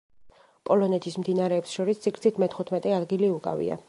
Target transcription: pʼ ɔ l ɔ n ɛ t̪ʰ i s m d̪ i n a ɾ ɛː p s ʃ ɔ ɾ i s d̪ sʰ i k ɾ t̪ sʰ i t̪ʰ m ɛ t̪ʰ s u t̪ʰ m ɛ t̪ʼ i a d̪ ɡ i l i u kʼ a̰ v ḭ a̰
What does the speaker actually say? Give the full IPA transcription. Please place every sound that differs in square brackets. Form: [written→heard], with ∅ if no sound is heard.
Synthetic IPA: pʼ ɔ l ɔ n ɛ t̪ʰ i s m d̪ i n a ɾ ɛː p s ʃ ɔ ɾ i s [d̪→t̪] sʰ i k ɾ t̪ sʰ i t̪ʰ m ɛ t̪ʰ [s→χ] u t̪ʰ m ɛ t̪ʼ [i→ɛ] a d̪ ɡ i l i u kʼ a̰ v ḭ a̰